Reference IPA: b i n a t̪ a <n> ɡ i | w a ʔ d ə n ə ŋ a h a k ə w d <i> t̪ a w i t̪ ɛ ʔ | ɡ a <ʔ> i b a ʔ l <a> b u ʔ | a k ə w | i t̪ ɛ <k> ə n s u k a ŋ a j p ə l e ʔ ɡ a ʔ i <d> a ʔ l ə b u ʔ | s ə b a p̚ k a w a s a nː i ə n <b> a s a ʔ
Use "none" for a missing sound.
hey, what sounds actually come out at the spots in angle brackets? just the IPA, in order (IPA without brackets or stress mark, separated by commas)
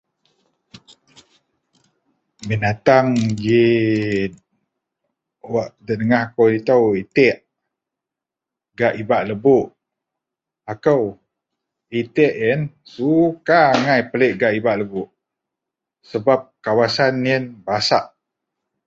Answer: ŋ, i, ʔ, ə, ʔ, b, b